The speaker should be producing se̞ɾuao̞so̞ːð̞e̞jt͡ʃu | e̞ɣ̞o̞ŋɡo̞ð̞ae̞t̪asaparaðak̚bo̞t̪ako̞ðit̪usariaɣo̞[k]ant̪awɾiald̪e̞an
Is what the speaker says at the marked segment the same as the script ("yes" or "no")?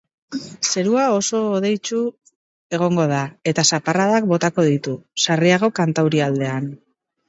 yes